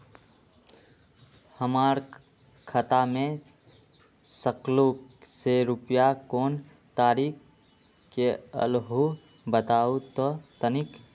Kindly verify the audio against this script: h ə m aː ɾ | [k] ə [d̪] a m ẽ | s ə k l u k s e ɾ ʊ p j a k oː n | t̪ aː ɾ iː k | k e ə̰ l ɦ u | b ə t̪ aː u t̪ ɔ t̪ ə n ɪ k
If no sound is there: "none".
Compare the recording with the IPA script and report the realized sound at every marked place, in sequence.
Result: kʰ, t̪

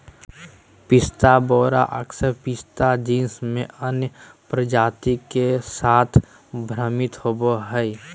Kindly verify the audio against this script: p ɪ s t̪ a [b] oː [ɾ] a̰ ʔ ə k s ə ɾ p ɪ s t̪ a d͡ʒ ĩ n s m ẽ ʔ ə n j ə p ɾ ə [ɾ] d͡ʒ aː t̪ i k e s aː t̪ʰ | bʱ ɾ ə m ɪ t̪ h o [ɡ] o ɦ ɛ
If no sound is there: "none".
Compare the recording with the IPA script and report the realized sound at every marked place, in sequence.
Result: b, ɾ, none, b

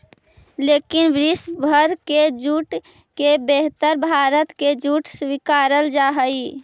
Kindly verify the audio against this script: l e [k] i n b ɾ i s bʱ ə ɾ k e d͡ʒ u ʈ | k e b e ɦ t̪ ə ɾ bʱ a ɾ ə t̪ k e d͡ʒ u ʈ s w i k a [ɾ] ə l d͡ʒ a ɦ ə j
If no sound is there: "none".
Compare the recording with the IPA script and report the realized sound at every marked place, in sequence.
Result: k, ɾ

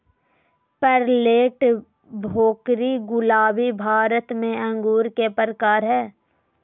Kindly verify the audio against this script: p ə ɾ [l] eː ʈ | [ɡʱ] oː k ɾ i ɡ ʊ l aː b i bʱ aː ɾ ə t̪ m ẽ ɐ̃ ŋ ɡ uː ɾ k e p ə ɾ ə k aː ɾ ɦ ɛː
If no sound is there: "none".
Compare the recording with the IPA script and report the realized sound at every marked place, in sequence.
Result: l, bʱ

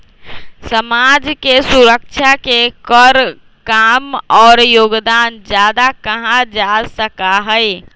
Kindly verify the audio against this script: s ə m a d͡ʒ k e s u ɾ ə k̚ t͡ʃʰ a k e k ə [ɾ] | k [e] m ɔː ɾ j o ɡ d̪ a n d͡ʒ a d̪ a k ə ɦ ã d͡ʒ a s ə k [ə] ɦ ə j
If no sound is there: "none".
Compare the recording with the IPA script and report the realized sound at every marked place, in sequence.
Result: ɾ, a, a

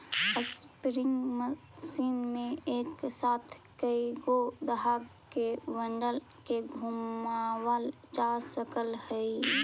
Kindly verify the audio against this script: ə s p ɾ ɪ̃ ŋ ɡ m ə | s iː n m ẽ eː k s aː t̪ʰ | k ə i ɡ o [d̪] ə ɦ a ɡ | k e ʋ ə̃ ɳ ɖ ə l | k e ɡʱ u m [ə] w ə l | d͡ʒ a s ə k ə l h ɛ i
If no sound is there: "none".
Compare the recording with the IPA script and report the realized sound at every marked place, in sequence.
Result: d̪, a

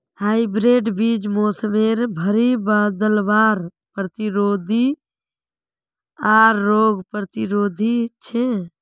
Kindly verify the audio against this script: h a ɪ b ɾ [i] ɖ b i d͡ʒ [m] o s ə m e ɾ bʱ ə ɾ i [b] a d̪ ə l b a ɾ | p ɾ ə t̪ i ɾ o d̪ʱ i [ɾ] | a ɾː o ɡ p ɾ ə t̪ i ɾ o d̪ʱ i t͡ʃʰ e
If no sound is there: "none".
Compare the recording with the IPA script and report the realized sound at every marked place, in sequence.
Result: e, m, b, none

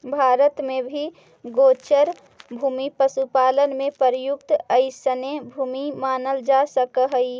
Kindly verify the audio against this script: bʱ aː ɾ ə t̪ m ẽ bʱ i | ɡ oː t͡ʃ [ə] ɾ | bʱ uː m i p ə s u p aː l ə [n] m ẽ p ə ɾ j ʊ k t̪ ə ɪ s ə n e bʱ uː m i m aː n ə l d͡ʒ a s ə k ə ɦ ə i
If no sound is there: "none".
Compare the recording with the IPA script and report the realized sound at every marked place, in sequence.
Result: ə, n

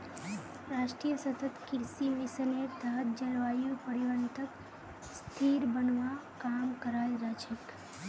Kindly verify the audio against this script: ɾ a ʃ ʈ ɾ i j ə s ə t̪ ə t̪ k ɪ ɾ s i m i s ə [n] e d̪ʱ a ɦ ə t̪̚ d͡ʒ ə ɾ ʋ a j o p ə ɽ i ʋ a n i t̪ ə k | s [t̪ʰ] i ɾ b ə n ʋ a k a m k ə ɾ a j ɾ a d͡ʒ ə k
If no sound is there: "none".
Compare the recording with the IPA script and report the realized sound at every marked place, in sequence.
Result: n, t̪ʰ

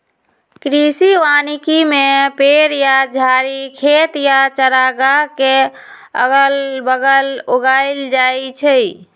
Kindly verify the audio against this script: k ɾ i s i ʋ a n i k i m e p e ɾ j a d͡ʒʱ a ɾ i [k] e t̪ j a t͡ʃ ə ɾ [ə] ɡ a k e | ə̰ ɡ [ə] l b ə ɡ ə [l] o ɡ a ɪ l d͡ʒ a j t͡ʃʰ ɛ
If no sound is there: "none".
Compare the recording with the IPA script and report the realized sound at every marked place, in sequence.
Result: kʰ, a, ə, l

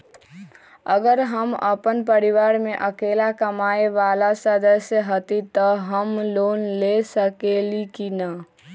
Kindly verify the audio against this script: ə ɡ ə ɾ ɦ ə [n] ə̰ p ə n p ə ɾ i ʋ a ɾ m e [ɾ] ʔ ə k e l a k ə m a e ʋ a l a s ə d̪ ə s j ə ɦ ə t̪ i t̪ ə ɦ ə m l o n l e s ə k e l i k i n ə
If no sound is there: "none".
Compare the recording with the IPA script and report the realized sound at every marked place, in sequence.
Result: m, none

